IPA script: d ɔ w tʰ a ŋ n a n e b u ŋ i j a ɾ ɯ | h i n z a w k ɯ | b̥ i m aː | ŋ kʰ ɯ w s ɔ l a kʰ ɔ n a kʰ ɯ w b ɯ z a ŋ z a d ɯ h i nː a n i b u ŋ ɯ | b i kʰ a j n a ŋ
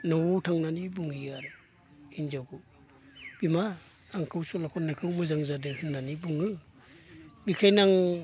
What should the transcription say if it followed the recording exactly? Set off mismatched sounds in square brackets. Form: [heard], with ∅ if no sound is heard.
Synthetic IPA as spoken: [n] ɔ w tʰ a ŋ n a n [i] b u ŋ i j a ɾ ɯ | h i n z a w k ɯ | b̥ i m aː | ŋ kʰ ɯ w s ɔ l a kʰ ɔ n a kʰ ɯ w [m] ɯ z a ŋ z a d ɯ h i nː a n i b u ŋ ɯ | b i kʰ a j n a ŋ

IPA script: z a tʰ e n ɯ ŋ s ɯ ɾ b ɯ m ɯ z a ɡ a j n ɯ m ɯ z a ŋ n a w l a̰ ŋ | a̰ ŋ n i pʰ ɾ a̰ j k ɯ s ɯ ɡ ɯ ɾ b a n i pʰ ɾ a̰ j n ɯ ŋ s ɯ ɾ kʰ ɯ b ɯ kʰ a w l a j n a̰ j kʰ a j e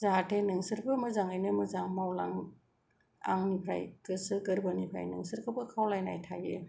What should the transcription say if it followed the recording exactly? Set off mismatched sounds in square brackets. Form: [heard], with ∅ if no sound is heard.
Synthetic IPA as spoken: z a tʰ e n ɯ ŋ s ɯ ɾ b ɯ m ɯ z a [ŋ] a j n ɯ m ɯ z a ŋ [m] a w l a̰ ŋ | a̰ ŋ n i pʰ ɾ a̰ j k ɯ s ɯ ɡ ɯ ɾ b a n i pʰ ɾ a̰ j n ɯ ŋ s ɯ ɾ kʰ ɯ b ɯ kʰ a w l a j n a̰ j [tʰ] a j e

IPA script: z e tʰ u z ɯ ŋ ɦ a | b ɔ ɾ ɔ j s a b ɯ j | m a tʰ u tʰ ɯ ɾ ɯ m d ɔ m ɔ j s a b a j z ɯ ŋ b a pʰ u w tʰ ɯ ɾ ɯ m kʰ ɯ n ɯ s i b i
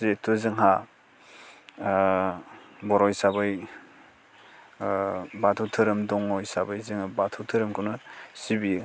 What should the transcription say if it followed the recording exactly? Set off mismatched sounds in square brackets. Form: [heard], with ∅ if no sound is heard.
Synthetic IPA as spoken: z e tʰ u z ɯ ŋ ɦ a | b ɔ ɾ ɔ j s a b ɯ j | [b] a tʰ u tʰ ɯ ɾ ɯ m d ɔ [ŋ] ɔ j s a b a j z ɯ ŋ b a [tʰ] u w tʰ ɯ ɾ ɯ m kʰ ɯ n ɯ s i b i

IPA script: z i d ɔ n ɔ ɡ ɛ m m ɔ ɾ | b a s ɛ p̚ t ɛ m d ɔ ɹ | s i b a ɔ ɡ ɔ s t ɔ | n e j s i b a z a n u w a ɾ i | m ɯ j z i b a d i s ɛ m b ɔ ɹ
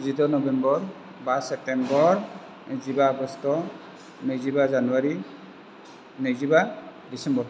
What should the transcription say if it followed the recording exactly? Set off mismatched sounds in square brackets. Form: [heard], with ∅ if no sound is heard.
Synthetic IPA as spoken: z i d ɔ n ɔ [b] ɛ m [b] ɔ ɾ | b a s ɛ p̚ t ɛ m [b] ɔ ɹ | [z] i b a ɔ ɡ ɔ s t ɔ | n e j [z] i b a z a n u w a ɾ i | [n] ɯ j z i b a d i s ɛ m b ɔ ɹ

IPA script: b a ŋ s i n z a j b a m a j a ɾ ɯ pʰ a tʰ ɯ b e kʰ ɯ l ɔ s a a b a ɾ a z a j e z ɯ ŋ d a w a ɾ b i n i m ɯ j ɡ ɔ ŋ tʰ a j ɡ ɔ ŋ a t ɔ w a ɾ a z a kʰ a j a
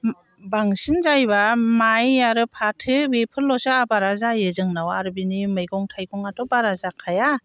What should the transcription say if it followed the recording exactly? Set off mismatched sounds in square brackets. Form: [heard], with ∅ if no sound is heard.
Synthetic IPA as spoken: b a ŋ s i n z a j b a m a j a ɾ ɯ pʰ a tʰ ɯ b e [pʰ] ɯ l ɔ s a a b a ɾ a z a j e z ɯ ŋ [n] a w a ɾ b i n i m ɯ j ɡ ɔ ŋ tʰ a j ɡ ɔ ŋ a t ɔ [b] a ɾ a z a kʰ a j a

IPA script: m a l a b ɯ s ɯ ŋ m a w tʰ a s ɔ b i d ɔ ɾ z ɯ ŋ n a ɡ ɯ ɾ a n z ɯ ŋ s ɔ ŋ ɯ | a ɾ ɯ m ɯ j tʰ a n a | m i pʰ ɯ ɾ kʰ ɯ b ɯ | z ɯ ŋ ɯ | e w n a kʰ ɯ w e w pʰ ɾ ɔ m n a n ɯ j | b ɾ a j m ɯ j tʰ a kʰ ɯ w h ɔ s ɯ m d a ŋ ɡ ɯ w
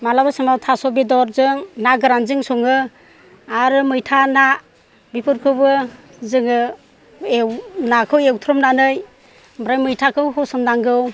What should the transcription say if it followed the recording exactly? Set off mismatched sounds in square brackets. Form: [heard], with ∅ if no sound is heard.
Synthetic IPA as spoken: m a l a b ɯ s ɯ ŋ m a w tʰ a s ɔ b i d ɔ ɾ z ɯ ŋ n a ɡ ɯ ɾ a n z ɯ ŋ s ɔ ŋ ɯ | a ɾ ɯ m ɯ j tʰ a n a | [b] i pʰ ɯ ɾ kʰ ɯ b ɯ | z ɯ ŋ ɯ | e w n a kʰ ɯ w e w [tʰ] ɾ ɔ m n a n ɯ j | b ɾ a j m ɯ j tʰ a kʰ ɯ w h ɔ s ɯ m d a ŋ ɡ ɯ w

